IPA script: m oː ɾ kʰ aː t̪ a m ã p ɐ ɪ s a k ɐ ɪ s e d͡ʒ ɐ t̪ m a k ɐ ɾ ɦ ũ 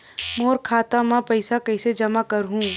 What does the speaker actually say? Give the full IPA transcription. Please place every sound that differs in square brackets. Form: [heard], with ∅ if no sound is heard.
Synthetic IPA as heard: m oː ɾ kʰ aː t̪ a m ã p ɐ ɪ s a k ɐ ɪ s e d͡ʒ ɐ [∅] m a k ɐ ɾ ɦ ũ